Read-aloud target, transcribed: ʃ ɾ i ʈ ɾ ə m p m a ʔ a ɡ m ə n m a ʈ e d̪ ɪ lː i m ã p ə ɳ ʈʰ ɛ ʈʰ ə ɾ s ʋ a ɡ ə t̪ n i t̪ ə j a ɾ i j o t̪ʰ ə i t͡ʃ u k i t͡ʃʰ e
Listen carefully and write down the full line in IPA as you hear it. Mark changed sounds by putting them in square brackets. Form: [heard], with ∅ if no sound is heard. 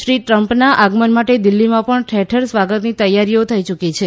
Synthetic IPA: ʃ ɾ i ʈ ɾ ə m p [n] a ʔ a ɡ m ə n m a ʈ e d̪ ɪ lː i m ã p ə ɳ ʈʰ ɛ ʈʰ ə ɾ s ʋ a ɡ ə t̪ n i t̪ ə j a ɾ i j o t̪ʰ ə i t͡ʃ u k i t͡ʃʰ e